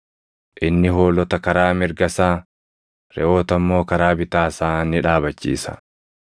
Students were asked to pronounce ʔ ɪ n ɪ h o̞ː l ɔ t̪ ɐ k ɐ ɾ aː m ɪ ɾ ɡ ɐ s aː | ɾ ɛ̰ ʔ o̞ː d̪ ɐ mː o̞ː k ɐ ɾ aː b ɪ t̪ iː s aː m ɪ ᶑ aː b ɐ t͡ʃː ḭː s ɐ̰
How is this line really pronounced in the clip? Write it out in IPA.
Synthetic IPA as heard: ʔ ɪ nː ɪ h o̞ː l ɔ t̪ ɐ k ɐ ɾ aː m ɪ ɾ ɡ ɐ s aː | ɾ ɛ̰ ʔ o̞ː t̪ ɐ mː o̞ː k ɐ ɾ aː b ɪ t̪ aː s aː n ɪ ᶑ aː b ɐ t͡ʃː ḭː s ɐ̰